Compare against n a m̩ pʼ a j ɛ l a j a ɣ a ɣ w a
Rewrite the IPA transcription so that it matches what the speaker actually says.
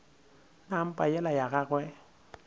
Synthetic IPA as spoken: n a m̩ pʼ a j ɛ l a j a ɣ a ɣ w ɛ